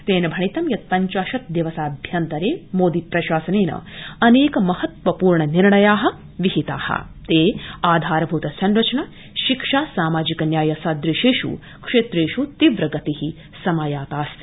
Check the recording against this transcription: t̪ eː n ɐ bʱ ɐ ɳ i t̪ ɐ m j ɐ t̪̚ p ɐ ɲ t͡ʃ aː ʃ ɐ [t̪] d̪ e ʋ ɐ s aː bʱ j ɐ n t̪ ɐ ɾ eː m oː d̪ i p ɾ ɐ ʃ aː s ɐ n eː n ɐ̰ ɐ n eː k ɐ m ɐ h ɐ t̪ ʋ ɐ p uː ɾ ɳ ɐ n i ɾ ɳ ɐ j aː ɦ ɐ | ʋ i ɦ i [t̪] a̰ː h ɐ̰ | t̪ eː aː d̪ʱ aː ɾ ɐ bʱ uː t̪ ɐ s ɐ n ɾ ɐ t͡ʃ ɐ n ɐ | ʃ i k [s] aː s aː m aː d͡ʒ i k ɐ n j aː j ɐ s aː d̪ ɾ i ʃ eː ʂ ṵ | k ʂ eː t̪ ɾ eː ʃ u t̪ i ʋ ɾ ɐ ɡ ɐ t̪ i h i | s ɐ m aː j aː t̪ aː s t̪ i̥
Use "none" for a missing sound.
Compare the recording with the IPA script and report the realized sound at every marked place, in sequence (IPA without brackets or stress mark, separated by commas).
t̪, t̪, ʂ